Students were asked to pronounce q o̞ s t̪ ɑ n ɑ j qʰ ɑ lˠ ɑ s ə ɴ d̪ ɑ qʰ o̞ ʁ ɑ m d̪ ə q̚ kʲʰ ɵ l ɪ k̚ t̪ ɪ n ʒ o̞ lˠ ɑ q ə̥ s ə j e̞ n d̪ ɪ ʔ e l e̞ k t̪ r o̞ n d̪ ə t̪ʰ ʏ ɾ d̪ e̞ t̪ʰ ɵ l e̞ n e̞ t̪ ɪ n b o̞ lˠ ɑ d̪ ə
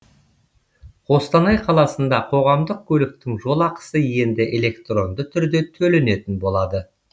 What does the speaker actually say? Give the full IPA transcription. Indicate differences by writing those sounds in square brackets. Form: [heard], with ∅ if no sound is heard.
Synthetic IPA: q o̞ s t̪ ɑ n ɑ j qʰ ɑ lˠ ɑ s ə [n] d̪ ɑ qʰ o̞ ʁ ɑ m d̪ ə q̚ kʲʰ ɵ l ɪ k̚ t̪ ɪ [ŋ] ʒ o̞ lˠ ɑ q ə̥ s ə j e̞ n d̪ ɪ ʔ e l e̞ k t̪ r o̞ n d̪ ə t̪ʰ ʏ ɾ d̪ e̞ t̪ʰ ɵ l e̞ n e̞ t̪ ɪ n b o̞ lˠ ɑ d̪ ə

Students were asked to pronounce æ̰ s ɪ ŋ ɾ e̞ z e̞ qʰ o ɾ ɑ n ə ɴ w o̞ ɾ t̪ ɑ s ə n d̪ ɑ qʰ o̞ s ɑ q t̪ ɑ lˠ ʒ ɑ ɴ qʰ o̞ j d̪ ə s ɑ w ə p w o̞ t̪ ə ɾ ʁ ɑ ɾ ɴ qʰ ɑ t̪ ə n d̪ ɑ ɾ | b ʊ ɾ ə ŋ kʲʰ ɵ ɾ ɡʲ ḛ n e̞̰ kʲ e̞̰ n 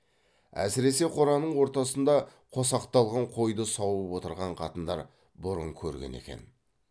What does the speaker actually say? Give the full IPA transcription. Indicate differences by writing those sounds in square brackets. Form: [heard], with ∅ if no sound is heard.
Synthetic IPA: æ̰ s ɪ [∅] ɾ e̞ [s] e̞ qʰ o ɾ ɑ n ə ɴ w o̞ ɾ t̪ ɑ s ə n d̪ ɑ qʰ o̞ s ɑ q t̪ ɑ lˠ [ʁ] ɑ ɴ qʰ o̞ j d̪ ə s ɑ w ə p w o̞ t̪ ə ɾ ʁ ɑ [∅] ɴ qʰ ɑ t̪ ə n d̪ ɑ ɾ | b ʊ ɾ ə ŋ kʲʰ ɵ ɾ ɡʲ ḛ n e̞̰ kʲ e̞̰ n

